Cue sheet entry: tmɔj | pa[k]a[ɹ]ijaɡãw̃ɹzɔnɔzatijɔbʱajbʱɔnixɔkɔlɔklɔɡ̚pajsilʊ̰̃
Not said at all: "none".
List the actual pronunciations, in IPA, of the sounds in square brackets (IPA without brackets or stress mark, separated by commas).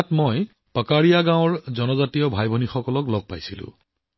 k, ɹ